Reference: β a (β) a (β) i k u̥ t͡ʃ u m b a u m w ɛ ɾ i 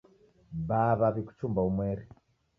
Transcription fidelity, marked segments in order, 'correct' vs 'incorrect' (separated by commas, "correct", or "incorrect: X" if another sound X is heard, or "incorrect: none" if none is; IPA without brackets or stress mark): correct, correct